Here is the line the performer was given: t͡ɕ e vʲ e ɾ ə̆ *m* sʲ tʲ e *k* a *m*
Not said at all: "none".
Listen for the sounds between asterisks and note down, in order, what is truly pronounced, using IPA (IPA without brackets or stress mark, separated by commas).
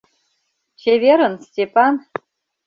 n, p, n